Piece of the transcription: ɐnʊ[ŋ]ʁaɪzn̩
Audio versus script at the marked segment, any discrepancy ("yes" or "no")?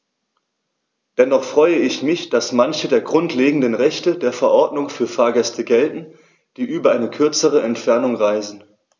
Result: no